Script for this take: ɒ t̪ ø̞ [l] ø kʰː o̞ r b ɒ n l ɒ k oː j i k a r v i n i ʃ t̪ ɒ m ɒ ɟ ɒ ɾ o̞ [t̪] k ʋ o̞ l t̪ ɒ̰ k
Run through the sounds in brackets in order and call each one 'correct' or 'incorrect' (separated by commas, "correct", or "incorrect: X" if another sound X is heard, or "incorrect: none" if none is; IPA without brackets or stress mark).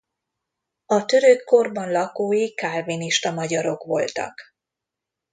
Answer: incorrect: ɾ, incorrect: none